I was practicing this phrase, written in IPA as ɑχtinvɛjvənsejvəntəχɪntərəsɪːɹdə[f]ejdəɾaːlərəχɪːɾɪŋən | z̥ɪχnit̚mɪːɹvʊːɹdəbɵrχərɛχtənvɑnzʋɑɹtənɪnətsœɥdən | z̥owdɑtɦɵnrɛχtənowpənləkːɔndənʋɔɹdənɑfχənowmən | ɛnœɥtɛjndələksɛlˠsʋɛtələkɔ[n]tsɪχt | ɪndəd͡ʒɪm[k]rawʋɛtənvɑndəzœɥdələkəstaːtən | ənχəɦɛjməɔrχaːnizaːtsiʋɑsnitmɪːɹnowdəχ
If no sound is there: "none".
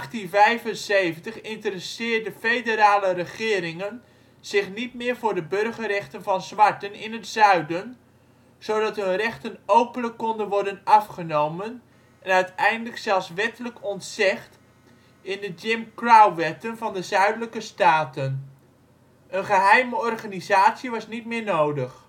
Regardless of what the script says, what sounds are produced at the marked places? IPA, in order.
f, n, k

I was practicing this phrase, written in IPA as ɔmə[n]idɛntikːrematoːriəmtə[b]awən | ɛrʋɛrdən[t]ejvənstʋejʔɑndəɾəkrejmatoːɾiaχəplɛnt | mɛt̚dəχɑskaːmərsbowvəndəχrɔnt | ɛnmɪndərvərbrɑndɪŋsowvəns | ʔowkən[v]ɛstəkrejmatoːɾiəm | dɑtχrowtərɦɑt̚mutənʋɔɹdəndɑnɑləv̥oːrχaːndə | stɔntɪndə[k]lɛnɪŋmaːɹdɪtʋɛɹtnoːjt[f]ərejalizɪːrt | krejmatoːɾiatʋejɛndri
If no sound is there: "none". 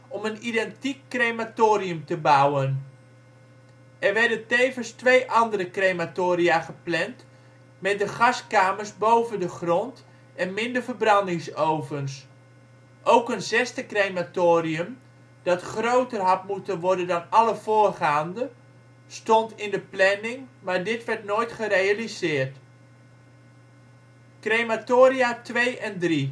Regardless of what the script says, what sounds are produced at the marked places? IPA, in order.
n, b, t, z, p, χ

